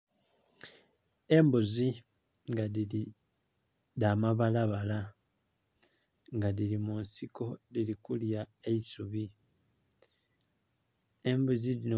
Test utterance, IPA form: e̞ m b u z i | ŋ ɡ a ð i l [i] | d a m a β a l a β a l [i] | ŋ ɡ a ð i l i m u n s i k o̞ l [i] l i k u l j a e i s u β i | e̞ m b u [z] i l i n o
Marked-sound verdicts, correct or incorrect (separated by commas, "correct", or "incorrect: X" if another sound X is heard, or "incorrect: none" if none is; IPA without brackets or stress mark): correct, incorrect: a, correct, correct